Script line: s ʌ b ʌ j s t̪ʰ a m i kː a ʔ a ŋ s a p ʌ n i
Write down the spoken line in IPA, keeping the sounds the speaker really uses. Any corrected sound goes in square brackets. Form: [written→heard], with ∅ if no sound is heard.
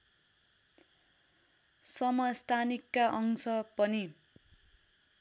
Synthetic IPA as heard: s ʌ [b→m] ʌ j s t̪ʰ a [m→n] i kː a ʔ [a→ʌ] ŋ s [a→ʌ] p ʌ n i